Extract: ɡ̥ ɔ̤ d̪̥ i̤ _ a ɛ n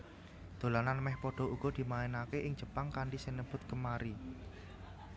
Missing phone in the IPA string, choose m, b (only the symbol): m